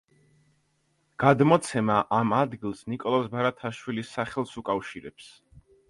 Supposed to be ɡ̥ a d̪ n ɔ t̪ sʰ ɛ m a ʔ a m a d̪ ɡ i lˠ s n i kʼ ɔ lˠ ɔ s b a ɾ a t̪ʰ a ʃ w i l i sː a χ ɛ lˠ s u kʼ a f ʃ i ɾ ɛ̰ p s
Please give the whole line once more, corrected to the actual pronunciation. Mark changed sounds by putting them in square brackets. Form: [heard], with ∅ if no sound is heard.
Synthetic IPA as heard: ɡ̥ a d̪ [m] ɔ t̪ sʰ ɛ m a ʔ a m a d̪ ɡ i lˠ s n i kʼ ɔ lˠ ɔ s b a ɾ a t̪ʰ a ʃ w i l i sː a χ ɛ lˠ s u kʼ a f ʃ i ɾ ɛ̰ p s